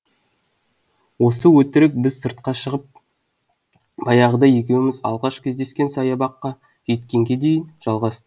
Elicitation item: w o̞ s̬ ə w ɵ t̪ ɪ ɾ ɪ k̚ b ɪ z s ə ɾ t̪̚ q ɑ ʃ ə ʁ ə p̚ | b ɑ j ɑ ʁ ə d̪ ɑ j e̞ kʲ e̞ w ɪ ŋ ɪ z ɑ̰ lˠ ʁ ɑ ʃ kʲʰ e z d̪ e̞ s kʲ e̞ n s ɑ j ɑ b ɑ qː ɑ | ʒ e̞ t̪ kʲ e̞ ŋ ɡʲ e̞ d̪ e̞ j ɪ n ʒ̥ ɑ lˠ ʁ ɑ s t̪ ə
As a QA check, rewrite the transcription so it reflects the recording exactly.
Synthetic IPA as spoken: w o̞ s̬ ə w ɵ t̪ ɪ ɾ ɪ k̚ b ɪ z s ə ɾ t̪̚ q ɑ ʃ ə ʁ ə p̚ | b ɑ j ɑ ʁ ə d̪ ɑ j e̞ kʲ e̞ w ɪ m ɪ z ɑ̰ lˠ ʁ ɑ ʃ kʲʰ e z d̪ e̞ s kʲ e̞ n s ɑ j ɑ b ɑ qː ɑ | ʒ e̞ t̪ kʲ e̞ ŋ ɡʲ e̞ d̪ e̞ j ɪ n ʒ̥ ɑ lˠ ʁ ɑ s t̪ ə